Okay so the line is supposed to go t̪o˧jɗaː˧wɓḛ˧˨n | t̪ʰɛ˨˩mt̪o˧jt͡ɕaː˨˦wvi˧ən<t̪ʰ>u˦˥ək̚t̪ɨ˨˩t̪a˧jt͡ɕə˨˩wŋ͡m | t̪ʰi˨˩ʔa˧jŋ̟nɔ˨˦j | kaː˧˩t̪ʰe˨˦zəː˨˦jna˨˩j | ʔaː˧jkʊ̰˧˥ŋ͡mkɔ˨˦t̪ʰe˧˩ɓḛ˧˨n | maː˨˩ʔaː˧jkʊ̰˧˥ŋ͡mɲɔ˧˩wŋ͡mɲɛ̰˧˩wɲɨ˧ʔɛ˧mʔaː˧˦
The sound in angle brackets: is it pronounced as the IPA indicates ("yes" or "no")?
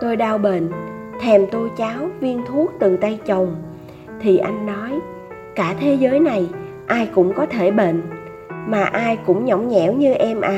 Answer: yes